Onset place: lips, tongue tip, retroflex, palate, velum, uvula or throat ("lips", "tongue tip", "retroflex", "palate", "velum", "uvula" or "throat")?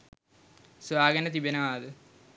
tongue tip